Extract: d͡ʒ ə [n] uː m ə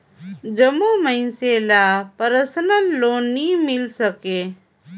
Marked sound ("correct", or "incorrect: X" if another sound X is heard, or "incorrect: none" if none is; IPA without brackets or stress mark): incorrect: m